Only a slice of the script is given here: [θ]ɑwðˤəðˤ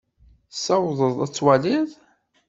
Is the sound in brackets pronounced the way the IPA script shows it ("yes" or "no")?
no